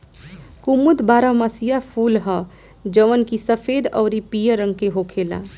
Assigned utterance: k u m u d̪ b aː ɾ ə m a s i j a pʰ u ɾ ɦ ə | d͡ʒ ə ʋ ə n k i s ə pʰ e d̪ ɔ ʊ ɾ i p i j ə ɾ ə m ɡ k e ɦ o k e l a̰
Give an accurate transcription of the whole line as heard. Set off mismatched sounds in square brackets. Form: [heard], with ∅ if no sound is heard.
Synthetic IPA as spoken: k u m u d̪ b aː ɾ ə m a s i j a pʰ u [l] ɦ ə | d͡ʒ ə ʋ ə n k i s ə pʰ e d̪ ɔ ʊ ɾ i p i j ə ɾ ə [ŋ] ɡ k e ɦ o [kʰ] e l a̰